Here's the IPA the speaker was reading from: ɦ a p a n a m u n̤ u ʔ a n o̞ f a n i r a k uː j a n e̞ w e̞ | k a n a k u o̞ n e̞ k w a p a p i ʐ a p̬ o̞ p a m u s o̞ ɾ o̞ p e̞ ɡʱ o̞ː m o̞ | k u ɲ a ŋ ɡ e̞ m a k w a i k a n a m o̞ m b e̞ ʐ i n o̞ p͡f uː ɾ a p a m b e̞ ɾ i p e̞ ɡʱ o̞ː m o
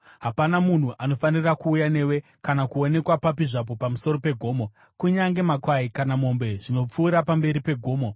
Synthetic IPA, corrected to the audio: ɦ a p a n a m u n̤ u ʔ a n o̞ f a n i r a k uː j a n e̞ w e̞ | k a n a k u o̞ n e̞ k w a p a p i ʐ a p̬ o̞ p a m u s o̞ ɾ o̞ p e̞ ɡʱ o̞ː m o̞ | k u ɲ a ŋ ɡ e̞ m a k w a i k a n a m o̞ m b e̞ ʐ i n o̞ p͡f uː ɾ a p a m b e̞ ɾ i p e̞ ɡʱ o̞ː m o

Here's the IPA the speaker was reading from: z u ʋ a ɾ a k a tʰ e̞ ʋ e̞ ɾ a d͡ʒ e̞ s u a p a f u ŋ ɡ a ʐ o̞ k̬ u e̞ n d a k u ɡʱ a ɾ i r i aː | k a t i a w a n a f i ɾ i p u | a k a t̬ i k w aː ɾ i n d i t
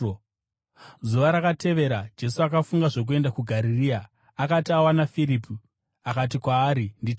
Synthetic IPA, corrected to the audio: z u ʋ a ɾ a k a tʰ e̞ ʋ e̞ ɾ a d͡ʒ e̞ s u a k a f u ŋ ɡ a ʐ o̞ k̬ u e̞ n d a k u ɡʱ a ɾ i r i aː | k a t i a w a n a f i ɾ i p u | a k a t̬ i k w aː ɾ i n d i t

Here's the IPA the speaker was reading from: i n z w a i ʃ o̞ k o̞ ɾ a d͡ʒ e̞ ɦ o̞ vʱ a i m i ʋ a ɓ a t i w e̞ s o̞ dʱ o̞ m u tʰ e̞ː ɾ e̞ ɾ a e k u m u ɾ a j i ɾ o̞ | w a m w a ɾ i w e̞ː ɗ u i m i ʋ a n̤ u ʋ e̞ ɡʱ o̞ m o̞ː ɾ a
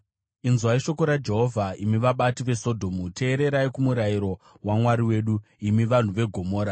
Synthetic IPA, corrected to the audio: i n z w a i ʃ o̞ k o̞ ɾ a d͡ʒ e̞ ɦ o̞ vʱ a i m i ʋ a ɓ a t i ʋ e̞ s o̞ dʱ o̞ m u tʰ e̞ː ɾ e̞ ɾ a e k u m u ɾ a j i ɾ o̞ | w a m w a ɾ i w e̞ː ɗ u i m i ʋ a n̤ u ʋ e̞ ɡʱ o̞ m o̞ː ɾ a

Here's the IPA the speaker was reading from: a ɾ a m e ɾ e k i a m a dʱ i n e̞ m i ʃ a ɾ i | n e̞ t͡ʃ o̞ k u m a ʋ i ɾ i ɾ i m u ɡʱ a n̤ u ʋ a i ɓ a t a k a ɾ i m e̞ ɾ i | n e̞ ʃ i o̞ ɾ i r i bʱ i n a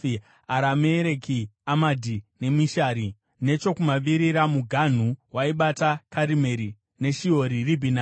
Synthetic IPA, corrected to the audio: a ɾ a m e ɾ e k i a m a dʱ i n e̞ m i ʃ a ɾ i | n e̞ t͡ʃ o̞ k u m a ʋ i ɾ i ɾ a m u ɡʱ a n̤ u w a i ɓ a t a k a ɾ i m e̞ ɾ i | n e̞ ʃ i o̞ ɾ i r i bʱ i n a

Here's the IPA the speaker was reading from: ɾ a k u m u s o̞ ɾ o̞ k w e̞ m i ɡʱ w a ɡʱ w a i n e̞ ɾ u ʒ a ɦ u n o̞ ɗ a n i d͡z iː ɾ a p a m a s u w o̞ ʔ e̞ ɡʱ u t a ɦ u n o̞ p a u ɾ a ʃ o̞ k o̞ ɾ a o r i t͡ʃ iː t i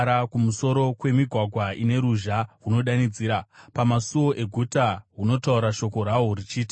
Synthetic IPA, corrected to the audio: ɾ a k u m u s o̞ ɾ o̞ k w e̞ m i ɡʱ w a ɡʱ w a i n e̞ ɾ u ʒ a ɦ u n o̞ ɗ a n i d͡z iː ɾ a p a m a s u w o̞ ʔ e̞ ɡʱ u t a ɦ u n o̞ t a u ɾ a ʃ o̞ k o̞ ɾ a o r i t͡ʃ iː t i

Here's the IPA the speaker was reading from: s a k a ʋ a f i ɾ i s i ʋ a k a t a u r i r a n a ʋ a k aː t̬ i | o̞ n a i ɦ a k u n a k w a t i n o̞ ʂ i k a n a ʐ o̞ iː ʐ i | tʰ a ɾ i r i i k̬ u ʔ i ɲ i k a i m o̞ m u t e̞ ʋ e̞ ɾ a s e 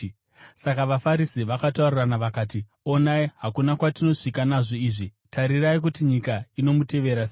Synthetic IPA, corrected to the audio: s a k a ʋ a f a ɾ i s i ʋ a k a t a u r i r a n a ʋ a k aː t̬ i | o̞ n a i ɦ a k u n a k w a t i n o̞ ʂ i k a n a ʐ o̞ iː ʐ i | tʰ a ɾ i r a i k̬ u t i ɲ i k a i n o̞ m u t e̞ ʋ e̞ ɾ a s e

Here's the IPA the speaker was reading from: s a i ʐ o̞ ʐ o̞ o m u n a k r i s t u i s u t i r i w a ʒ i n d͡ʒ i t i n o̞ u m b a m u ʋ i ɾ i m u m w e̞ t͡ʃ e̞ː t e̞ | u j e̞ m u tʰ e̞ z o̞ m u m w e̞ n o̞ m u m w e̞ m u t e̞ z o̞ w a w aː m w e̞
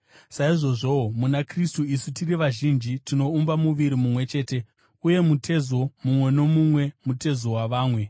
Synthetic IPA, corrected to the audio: s a i ʐ o̞ ʐ o̞ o m u n a k r i s t u i s u t i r i ʋ a ʒ i n d͡ʒ i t i n o̞ u m b a m u ʋ i ɾ i m u m w e̞ t͡ʃ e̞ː t e̞ | u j e̞ m u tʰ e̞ z o̞ m u m w e̞ n o̞ m u m w e̞ m u t e̞ z o̞ w a ʋ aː m w e̞

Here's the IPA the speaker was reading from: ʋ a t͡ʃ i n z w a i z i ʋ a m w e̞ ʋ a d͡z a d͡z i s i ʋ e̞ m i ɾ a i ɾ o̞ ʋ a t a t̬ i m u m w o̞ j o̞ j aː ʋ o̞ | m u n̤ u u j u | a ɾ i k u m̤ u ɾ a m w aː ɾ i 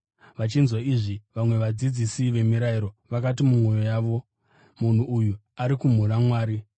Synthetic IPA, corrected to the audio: ʋ a t͡ʃ i n z w a i ʐ i ʋ a m w e̞ ʋ a d͡z i d͡z i s i ʋ e̞ m i ɾ a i ɾ o̞ ʋ a k a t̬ i m u m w o̞ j o̞ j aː ʋ o̞ | m u n̤ u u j u | a ɾ i k u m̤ u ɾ a m w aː ɾ i

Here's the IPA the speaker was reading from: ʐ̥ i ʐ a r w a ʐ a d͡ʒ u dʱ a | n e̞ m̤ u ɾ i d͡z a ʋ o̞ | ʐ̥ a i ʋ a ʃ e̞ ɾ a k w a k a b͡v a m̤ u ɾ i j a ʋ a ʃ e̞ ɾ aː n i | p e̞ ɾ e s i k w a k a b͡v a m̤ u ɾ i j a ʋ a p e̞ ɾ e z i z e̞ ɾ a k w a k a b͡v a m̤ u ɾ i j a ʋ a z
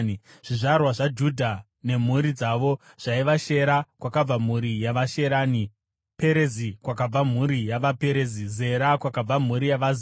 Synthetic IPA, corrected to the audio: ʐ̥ i ʐ a r w a ʐ a d͡ʒ u dʱ a | n e̞ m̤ u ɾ i d͡z a ʋ o̞ | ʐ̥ a i ʋ a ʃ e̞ ɾ a k w a k a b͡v a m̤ u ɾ i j a ʋ a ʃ e̞ ɾ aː n i | p e̞ ɾ e z i k w a k a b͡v a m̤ u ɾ i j a ʋ a p e̞ ɾ e z i z e̞ ɾ a k w a k a b͡v a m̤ u ɾ i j a ʋ a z

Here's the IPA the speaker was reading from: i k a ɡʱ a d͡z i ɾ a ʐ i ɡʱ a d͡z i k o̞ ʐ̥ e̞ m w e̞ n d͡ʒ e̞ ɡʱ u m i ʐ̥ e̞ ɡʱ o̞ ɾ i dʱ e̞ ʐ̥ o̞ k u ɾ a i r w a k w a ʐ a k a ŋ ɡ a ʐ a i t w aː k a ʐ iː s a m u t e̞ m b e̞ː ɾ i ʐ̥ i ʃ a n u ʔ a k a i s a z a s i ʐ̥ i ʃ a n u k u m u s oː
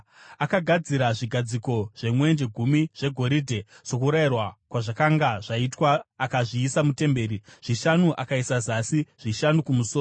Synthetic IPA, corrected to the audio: a k a ɡʱ a d͡z i ɾ a ʐ i ɡʱ a d͡z i k o̞ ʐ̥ e̞ m w e̞ n d͡ʒ e̞ ɡʱ u m i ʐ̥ e̞ ɡʱ o̞ ɾ i dʱ e̞ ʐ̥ o̞ k u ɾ a i r w a k w a ʐ a k a ŋ ɡ a ʐ a i t w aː k a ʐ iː s a m u t e̞ m b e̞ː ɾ i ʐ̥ i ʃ a n u ʔ a k a i s a z a s i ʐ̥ i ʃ a n u k u m u s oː

